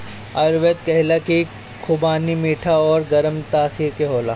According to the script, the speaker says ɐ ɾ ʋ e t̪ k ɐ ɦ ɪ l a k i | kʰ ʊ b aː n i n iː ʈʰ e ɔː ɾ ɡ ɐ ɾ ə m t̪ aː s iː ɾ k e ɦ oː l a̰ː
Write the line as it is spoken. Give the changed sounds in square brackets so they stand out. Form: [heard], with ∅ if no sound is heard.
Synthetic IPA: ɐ ɾ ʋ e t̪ k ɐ ɦ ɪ l a k i | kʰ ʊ b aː n i [m] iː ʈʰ [a] ɔː ɾ ɡ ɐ ɾ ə m t̪ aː s iː ɾ k e ɦ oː l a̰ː